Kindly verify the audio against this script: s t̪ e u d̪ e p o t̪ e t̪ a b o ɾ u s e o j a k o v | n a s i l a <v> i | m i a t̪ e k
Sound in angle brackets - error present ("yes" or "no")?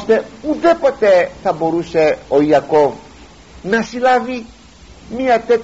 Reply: no